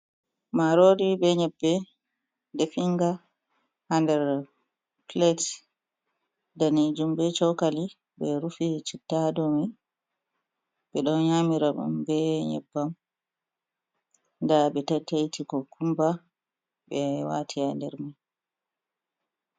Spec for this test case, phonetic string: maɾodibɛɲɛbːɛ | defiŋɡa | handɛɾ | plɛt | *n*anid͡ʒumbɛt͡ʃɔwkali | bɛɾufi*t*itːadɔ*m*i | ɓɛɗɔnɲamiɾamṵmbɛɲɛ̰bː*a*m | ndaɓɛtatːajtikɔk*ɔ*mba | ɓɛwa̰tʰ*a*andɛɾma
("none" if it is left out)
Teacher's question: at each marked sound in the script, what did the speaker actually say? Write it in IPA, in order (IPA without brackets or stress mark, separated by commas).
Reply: d, t͡ʃ, m, a, u, i